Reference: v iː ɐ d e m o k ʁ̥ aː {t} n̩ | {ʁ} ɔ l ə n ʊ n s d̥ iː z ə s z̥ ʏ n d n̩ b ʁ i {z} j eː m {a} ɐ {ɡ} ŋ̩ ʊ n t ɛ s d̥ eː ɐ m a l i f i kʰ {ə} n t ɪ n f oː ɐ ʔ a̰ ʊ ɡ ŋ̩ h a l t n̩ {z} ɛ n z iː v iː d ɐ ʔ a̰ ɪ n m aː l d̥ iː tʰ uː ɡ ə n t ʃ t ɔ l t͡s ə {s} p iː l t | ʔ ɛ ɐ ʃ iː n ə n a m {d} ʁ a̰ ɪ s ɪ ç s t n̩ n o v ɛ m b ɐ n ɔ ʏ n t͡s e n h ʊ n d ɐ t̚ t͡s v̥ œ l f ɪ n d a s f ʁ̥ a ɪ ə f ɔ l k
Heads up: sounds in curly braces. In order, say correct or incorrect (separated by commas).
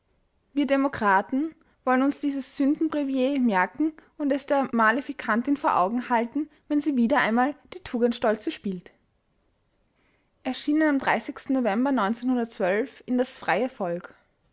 correct, incorrect, incorrect, incorrect, incorrect, incorrect, incorrect, incorrect, correct